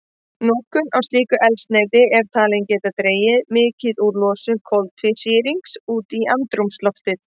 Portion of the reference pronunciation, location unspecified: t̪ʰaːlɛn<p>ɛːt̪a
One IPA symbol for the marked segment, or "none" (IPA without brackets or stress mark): c